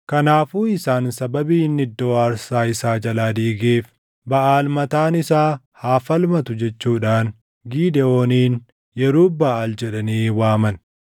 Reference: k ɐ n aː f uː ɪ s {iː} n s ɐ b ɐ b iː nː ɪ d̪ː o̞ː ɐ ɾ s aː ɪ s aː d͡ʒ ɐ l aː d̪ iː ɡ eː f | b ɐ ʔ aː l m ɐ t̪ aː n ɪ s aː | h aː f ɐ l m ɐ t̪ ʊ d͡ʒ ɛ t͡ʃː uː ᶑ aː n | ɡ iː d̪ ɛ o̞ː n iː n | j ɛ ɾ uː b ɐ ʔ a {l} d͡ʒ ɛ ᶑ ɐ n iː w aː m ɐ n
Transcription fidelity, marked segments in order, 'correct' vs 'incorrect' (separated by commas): incorrect, correct